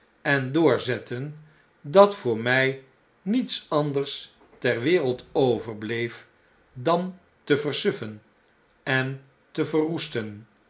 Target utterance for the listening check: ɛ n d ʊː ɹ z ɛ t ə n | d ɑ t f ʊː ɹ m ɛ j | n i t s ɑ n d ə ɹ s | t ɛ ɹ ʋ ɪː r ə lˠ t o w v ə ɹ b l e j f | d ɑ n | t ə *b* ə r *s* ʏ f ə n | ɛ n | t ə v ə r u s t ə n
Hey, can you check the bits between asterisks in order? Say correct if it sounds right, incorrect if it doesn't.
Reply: incorrect: v, correct

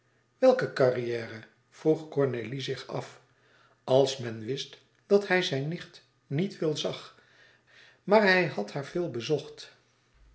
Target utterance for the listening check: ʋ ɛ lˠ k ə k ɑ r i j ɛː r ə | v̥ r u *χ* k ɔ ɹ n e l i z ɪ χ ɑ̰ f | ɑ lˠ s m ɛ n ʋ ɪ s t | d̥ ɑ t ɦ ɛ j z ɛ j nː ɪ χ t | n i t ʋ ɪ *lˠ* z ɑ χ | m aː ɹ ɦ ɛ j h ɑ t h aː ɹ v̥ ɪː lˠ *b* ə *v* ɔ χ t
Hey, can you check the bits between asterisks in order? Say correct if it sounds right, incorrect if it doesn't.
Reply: correct, correct, correct, incorrect: z

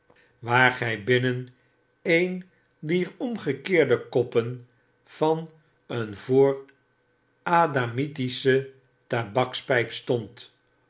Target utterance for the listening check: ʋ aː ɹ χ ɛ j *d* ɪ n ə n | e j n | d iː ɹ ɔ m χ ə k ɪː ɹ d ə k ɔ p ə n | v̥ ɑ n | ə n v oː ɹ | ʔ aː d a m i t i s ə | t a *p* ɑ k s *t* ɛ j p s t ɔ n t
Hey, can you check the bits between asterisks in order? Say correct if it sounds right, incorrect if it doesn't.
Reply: incorrect: b, incorrect: b, incorrect: p

